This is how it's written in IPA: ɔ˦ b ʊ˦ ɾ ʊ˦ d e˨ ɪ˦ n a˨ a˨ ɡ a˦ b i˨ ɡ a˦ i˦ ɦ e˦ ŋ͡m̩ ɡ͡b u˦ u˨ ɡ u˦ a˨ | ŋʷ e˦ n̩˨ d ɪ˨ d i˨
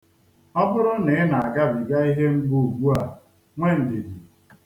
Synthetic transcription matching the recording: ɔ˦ b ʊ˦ ɾ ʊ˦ n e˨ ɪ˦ n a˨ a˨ ɡ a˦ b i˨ ɡ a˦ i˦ ɦ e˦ ŋ͡m̩ ɡ͡b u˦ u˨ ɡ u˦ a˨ | ŋʷ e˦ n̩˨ d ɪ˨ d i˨